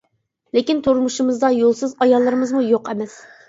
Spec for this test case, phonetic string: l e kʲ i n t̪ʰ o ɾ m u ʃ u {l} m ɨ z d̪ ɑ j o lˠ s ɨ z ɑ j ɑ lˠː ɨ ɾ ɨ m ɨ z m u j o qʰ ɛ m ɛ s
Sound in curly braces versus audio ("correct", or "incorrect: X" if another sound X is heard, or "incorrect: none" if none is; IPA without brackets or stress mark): incorrect: none